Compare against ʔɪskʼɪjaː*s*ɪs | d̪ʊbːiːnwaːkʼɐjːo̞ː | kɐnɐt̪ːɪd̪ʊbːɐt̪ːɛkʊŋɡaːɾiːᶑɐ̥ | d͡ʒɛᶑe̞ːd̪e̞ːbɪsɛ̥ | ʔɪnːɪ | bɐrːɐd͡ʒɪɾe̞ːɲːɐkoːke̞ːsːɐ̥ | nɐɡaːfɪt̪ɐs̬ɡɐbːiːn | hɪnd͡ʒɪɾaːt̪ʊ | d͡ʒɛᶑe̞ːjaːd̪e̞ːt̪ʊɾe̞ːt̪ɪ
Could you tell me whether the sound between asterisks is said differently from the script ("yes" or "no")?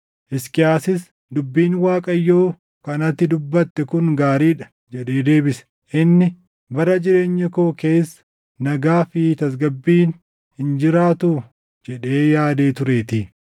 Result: no